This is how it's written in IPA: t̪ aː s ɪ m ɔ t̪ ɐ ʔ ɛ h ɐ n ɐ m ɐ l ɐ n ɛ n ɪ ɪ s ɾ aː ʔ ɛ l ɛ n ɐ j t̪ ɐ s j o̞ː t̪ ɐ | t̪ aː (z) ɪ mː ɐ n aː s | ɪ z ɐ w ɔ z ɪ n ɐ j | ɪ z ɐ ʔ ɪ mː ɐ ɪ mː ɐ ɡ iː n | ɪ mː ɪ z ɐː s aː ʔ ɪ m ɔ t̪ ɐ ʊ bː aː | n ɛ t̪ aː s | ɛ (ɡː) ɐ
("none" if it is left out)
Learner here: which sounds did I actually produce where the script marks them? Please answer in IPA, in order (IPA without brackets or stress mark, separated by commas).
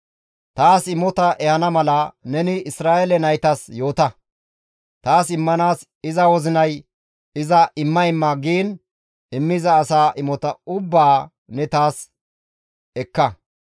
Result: s, kː